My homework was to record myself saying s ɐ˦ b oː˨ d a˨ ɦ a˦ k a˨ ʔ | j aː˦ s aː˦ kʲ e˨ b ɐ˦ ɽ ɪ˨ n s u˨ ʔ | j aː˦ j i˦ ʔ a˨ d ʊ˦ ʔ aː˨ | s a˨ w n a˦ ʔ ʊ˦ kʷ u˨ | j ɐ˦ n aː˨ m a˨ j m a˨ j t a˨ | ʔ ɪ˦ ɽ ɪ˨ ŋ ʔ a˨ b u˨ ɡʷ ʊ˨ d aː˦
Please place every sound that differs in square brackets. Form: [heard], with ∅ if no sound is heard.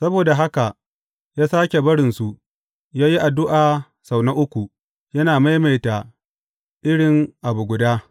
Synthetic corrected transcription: s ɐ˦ b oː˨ d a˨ ɦ a˦ k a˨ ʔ | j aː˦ s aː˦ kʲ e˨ b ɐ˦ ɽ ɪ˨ n s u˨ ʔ | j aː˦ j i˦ ʔ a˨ d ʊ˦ ʔ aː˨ | s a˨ w n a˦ ʔ ʊ˦ kʷ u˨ | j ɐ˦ n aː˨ m [a˦] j m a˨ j t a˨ | ʔ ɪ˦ ɽ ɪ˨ ŋ ʔ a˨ b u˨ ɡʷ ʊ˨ d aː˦